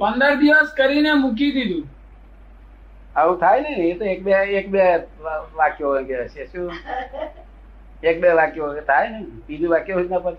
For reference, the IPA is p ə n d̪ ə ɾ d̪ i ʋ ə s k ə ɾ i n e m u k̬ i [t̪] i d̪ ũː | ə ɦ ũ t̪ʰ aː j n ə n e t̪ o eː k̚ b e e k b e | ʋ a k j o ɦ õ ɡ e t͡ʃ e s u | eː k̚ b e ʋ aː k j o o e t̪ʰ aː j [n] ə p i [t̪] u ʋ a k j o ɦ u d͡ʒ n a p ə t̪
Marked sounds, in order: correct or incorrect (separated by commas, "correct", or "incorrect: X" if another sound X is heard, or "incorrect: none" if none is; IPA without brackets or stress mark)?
incorrect: d̪, correct, incorrect: d̪